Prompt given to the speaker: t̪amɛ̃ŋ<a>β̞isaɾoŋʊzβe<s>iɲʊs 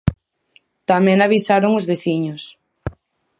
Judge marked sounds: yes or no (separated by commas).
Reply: yes, no